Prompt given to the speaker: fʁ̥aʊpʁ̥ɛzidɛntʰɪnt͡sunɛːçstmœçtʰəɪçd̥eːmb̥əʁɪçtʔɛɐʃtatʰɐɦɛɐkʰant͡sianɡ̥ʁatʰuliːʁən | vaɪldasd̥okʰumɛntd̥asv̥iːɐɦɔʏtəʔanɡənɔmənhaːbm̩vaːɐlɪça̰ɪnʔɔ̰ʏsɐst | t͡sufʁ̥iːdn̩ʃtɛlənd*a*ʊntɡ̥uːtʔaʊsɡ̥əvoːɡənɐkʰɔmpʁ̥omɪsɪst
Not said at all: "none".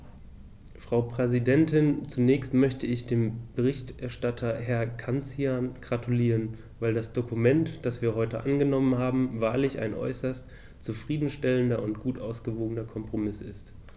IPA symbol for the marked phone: ɐ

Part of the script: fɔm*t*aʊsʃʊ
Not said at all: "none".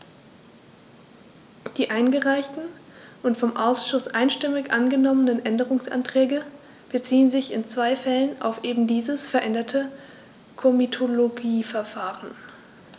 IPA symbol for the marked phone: ʔ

